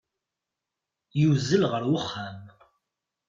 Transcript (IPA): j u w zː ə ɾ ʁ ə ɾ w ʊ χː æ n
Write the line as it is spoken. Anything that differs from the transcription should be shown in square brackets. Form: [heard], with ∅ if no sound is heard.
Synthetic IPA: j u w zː ə [l] ʁ ə ɾ w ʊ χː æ [m]